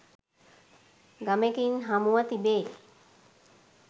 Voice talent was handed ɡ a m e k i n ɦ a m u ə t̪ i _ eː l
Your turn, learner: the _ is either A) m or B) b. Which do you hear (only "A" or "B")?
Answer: B